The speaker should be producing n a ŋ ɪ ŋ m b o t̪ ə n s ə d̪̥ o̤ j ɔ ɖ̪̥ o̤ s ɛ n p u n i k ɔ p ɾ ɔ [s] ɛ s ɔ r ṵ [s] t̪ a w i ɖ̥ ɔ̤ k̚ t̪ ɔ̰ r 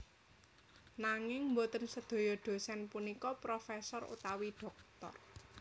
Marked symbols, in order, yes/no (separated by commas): no, no